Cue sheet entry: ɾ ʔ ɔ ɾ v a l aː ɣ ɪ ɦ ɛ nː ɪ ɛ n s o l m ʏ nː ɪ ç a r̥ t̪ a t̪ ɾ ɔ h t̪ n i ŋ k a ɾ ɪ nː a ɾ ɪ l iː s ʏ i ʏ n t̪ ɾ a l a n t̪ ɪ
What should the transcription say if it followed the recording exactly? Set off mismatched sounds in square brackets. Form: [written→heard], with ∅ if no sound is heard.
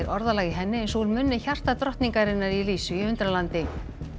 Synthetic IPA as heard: ɾ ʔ ɔ ɾ [v→ð] a l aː ɣ ɪ ɦ ɛ nː ɪ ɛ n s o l m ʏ nː ɪ ç a r̥ t̪ a t̪ ɾ ɔ h t̪ n i ŋ k a ɾ ɪ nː a ɾ [ɪ→i] l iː s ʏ i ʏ n t̪ ɾ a l a n t̪ ɪ